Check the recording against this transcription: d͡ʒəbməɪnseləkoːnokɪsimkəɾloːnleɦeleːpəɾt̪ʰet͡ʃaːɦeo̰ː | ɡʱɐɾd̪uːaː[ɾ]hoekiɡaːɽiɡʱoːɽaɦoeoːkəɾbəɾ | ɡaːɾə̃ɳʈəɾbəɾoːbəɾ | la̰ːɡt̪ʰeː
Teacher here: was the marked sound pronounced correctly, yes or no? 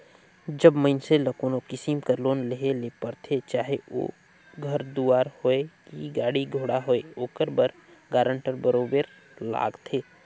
yes